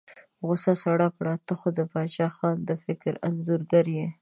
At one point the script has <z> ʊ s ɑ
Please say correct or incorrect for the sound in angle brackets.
incorrect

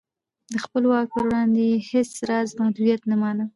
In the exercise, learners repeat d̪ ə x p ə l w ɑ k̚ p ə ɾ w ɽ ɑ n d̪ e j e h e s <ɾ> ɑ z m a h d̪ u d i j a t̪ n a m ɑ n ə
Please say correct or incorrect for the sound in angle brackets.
correct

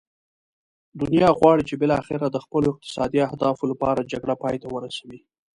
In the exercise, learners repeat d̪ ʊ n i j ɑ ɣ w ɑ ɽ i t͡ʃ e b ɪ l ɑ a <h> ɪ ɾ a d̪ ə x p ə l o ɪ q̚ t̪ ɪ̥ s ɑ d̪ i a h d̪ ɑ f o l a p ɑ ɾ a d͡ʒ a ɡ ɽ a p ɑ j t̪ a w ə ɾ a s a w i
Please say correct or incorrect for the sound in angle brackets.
incorrect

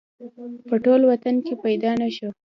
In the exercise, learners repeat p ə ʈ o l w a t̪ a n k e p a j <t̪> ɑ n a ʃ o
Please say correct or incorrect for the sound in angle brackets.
incorrect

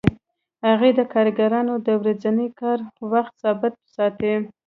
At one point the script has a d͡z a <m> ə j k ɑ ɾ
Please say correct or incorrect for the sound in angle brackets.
incorrect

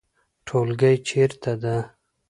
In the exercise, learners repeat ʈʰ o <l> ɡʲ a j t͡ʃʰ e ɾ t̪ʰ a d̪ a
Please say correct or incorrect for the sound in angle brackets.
correct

